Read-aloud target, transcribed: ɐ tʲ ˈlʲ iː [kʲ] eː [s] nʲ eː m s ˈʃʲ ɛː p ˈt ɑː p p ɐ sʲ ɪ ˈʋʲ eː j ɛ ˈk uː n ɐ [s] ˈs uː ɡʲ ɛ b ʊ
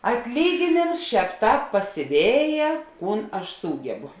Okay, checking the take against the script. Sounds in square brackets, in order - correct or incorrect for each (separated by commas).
incorrect, incorrect, incorrect